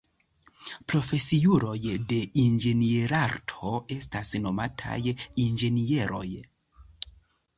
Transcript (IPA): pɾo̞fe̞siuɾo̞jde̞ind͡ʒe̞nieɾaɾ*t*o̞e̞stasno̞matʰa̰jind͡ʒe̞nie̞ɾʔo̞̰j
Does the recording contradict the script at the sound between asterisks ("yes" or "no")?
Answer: yes